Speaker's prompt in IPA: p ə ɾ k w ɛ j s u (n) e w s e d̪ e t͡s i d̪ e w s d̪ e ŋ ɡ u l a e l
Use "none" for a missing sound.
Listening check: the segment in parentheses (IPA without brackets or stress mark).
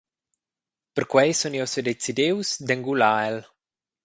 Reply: n